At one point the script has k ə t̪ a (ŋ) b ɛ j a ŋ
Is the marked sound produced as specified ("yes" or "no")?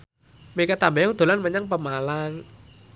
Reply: no